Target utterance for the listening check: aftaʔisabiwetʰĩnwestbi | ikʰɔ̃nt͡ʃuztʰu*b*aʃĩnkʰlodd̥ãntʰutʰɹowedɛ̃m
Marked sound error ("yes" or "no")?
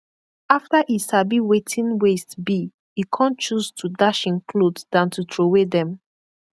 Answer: yes